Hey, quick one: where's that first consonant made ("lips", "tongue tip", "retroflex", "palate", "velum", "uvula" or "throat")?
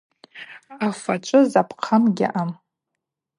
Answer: lips